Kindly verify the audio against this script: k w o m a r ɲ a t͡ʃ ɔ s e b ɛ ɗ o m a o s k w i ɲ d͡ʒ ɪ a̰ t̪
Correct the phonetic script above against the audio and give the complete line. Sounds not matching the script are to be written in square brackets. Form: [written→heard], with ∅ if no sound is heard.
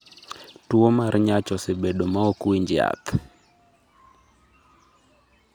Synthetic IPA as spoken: [k→t] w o m a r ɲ a t͡ʃ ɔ s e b [ɛ→e] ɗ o m a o [s→∅] k w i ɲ d͡ʒ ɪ a̰ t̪